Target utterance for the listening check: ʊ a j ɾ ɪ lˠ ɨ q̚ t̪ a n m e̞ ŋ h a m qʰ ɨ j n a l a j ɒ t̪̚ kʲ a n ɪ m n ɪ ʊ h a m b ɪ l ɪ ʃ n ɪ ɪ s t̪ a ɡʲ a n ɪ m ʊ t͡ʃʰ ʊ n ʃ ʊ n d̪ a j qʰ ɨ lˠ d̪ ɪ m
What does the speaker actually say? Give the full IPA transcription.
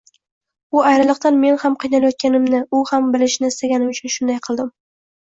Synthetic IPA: ʊ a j ɾ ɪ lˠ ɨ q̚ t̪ a n m e̞ n h a m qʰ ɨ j n a l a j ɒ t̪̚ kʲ a n ɪ m n ɪ ʊ h a m b ɪ l ɪ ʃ n ɪ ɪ s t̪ a ɡʲ a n ɪ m ʊ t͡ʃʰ ʊ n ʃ ʊ n d̪ a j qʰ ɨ lˠ d̪ ɪ m